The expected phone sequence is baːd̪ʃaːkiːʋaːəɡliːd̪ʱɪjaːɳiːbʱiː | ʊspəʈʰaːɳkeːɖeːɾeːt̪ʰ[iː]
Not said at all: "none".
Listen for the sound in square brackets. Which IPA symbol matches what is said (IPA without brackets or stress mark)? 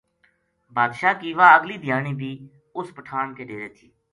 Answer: iː